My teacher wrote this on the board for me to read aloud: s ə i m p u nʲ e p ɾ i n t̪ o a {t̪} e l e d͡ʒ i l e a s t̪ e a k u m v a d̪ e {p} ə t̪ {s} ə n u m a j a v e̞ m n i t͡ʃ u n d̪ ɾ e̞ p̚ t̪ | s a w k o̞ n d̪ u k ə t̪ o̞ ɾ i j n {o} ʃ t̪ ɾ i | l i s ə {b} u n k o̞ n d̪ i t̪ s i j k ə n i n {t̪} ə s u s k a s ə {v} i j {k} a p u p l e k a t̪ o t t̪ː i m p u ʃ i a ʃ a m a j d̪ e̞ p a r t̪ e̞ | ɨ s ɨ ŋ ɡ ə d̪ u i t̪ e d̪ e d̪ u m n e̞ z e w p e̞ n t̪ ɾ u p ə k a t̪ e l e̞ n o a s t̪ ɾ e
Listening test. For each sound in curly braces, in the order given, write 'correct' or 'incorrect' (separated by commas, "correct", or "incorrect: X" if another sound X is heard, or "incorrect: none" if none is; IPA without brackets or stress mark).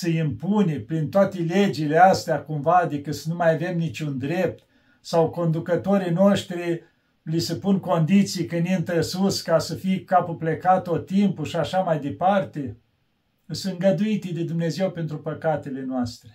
correct, incorrect: k, correct, correct, incorrect: p, correct, incorrect: f, correct